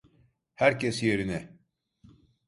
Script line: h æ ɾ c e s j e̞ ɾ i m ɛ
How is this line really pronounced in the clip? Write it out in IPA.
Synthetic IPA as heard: h æ ɾ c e s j e̞ ɾ i n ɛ